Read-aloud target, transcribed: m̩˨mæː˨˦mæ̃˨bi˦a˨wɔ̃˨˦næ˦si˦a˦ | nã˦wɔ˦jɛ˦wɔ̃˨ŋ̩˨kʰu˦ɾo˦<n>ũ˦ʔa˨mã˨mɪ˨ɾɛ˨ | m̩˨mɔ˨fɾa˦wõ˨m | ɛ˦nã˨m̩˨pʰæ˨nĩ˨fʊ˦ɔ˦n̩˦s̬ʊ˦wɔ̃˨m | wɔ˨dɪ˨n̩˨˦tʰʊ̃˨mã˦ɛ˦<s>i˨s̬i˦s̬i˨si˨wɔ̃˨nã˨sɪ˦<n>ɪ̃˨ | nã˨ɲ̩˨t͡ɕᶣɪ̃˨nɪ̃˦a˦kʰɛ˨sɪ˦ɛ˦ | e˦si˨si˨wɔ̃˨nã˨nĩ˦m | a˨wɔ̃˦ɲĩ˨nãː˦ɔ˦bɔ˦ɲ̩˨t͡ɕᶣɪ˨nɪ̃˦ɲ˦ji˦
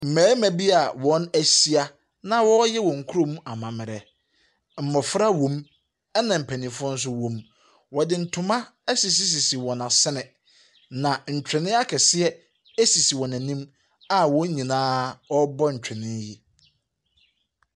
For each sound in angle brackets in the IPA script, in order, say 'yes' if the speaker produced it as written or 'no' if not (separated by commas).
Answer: no, yes, yes